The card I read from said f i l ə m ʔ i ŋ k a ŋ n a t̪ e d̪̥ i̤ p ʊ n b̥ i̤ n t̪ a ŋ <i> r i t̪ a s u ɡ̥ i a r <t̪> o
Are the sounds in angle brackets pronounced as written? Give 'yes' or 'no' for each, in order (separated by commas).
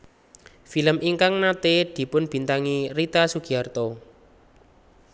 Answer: yes, yes